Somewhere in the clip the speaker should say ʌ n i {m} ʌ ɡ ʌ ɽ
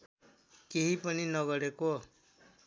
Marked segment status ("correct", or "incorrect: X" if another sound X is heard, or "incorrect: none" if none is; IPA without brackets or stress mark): incorrect: n